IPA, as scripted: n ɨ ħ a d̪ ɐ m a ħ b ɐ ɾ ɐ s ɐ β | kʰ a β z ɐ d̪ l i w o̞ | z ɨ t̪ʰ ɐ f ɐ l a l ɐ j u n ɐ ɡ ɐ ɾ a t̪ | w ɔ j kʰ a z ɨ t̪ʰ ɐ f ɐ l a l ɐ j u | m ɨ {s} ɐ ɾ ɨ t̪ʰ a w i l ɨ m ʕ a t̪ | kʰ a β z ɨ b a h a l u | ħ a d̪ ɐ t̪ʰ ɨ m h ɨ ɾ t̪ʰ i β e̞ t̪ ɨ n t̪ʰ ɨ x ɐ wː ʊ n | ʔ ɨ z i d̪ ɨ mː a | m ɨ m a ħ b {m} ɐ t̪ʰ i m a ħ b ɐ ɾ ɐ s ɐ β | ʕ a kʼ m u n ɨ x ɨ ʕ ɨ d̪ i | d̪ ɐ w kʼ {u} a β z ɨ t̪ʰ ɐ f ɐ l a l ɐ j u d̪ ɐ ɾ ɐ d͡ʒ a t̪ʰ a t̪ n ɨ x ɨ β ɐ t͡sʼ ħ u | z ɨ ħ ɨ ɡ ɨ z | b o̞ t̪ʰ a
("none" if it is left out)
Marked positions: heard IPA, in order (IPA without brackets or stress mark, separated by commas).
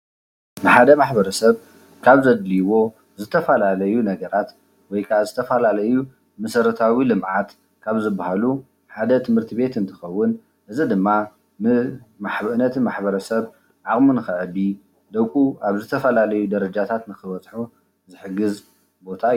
s, n, u